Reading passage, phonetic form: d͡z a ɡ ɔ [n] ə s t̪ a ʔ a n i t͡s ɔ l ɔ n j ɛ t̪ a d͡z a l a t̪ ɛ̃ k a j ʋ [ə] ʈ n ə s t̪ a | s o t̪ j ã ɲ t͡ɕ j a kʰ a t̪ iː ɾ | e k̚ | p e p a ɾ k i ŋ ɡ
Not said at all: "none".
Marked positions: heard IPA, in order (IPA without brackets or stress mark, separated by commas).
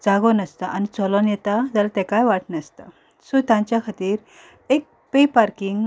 n, a